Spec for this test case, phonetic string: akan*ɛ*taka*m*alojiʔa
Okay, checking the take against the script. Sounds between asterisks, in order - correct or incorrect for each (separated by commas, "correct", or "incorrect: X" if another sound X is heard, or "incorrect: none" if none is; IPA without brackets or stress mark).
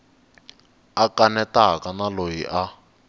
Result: correct, incorrect: n